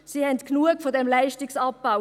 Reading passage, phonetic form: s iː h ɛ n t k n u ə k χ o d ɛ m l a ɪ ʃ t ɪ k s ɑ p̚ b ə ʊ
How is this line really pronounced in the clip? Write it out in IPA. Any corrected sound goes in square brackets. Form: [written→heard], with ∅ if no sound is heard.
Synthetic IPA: s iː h ɛ n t k n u ə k [χ→f] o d ɛ m l a ɪ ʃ t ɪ k s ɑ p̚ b [ə→a] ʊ